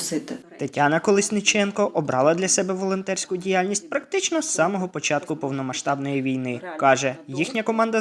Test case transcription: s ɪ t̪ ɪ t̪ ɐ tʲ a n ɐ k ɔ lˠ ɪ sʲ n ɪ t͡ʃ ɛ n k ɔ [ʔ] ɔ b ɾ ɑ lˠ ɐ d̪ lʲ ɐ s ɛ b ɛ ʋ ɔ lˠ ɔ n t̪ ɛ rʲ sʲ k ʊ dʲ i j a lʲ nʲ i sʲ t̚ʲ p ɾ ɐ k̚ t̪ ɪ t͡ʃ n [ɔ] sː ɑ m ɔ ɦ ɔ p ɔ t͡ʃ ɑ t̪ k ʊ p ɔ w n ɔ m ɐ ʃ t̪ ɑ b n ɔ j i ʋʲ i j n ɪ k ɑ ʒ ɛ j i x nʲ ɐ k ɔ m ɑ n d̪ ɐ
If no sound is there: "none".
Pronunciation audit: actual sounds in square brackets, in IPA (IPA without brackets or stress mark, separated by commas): ʔ, ɔ